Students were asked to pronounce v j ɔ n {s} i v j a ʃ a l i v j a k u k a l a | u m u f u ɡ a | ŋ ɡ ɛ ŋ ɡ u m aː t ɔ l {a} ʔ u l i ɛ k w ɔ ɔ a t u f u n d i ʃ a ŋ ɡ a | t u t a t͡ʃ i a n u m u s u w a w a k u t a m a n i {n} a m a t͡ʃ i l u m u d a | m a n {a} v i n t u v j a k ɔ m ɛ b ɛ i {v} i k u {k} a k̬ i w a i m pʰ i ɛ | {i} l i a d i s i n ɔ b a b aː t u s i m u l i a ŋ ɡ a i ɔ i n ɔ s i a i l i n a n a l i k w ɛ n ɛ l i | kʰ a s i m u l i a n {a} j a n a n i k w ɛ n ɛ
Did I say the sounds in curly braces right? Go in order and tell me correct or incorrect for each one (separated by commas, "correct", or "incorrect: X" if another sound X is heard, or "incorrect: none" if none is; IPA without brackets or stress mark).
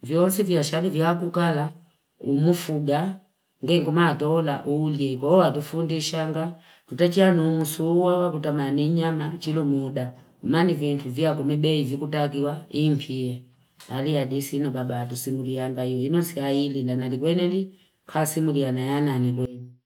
correct, correct, incorrect: ɲ, incorrect: i, correct, incorrect: t, incorrect: a, correct